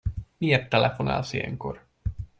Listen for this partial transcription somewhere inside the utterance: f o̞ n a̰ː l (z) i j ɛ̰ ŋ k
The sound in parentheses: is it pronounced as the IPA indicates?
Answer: no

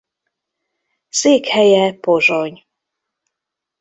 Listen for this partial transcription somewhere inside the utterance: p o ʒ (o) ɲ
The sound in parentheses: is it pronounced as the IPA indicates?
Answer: yes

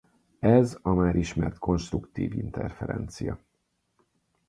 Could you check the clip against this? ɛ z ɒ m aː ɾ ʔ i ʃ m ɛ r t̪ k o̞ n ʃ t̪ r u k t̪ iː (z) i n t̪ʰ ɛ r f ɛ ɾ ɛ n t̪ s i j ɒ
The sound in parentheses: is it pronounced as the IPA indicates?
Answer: no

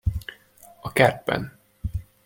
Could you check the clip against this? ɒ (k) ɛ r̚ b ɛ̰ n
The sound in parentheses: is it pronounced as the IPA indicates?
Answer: yes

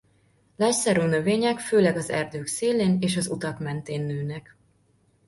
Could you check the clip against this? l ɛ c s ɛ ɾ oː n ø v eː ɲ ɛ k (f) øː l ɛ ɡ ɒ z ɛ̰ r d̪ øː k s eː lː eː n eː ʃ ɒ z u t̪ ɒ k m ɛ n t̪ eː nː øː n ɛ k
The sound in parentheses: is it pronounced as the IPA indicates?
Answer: yes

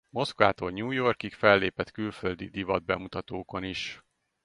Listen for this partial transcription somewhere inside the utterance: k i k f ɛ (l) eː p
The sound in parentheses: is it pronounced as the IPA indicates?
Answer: no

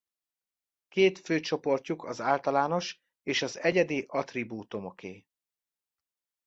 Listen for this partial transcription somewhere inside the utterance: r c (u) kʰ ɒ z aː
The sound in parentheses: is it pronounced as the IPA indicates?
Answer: yes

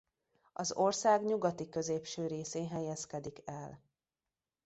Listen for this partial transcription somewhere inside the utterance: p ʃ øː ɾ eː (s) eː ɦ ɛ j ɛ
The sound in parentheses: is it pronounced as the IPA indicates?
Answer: yes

